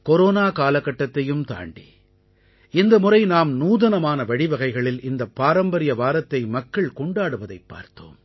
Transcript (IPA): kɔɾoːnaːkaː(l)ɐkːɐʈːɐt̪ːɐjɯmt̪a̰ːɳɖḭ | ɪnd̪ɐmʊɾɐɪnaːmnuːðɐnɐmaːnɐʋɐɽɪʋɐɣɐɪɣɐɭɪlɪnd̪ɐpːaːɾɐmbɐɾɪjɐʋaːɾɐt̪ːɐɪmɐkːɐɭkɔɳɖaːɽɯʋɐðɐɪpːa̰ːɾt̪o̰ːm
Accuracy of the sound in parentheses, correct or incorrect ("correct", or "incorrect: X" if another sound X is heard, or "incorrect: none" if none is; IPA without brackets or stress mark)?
correct